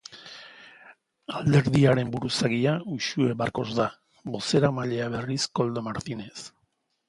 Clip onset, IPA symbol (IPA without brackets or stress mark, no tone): a